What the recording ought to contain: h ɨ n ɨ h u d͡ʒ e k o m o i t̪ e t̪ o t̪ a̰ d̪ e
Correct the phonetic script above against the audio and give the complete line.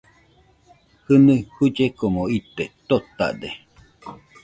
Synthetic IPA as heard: h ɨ n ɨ h u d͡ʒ e k o m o i t̪ e t̪ o t̪ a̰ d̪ e